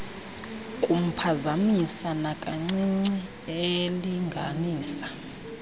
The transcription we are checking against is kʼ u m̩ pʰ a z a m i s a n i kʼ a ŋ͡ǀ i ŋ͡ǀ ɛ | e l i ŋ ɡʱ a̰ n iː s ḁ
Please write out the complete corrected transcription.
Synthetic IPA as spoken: kʼ u m̩ pʰ a z a m i s a n a kʼ a ŋ͡ǀ i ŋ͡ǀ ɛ | e l i ŋ ɡʱ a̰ n iː s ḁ